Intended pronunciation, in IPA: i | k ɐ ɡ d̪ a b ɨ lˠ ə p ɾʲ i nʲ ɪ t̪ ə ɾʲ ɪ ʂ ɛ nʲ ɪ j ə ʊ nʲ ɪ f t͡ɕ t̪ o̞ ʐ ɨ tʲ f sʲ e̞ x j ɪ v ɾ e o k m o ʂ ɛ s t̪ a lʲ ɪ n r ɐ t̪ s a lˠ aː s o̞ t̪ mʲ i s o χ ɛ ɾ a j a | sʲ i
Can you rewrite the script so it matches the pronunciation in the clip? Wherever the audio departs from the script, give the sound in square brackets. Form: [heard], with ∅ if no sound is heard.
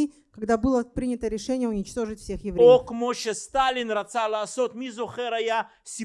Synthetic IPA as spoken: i | k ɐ ɡ d̪ a b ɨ lˠ ə p ɾʲ i nʲ ɪ t̪ ə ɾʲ ɪ ʂ ɛ nʲ ɪ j ə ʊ nʲ ɪ [∅] t͡ɕ t̪ o̞ ʐ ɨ tʲ f sʲ e̞ x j ɪ v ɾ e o k m o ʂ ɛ s t̪ a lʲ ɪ n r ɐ t̪ s a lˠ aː s o̞ t̪ mʲ i [z] o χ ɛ ɾ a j a | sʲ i